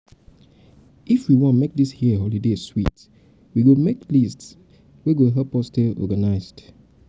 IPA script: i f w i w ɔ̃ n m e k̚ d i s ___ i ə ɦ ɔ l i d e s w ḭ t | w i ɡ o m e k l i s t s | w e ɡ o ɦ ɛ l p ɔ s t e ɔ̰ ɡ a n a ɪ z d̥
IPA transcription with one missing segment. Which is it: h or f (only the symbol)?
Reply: h